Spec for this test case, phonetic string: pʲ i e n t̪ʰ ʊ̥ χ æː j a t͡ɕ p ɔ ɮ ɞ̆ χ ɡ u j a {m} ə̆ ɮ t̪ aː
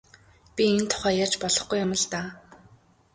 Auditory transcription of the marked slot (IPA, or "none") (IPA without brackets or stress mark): m